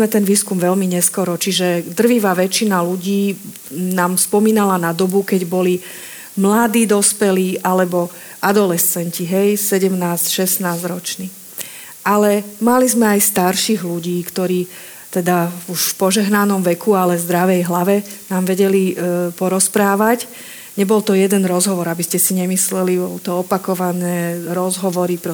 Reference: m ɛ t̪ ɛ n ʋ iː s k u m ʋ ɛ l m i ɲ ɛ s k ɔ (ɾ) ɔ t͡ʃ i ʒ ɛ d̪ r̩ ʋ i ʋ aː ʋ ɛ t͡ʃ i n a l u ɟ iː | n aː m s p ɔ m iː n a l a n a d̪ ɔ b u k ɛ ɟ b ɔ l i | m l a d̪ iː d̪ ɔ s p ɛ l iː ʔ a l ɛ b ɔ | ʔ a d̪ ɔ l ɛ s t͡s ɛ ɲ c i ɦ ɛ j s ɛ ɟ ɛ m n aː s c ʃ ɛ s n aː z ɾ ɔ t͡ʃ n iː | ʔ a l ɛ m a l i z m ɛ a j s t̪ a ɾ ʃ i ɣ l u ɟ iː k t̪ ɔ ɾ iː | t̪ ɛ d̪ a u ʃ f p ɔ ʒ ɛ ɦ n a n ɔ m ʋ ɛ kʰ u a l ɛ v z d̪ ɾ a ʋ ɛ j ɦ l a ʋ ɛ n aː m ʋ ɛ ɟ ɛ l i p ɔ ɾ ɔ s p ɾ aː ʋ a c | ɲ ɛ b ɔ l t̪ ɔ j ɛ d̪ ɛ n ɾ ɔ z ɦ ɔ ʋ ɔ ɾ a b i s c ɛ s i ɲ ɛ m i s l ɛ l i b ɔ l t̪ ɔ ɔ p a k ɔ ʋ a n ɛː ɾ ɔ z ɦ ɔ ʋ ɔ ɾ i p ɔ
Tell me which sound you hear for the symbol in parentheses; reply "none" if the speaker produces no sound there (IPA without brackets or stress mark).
ɾ